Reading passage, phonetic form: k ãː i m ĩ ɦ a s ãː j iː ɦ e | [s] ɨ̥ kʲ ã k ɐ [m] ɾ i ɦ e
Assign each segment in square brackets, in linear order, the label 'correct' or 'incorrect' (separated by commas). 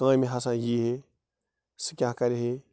correct, incorrect